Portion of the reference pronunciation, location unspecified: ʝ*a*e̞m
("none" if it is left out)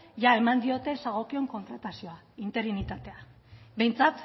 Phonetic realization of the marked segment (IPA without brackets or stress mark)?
a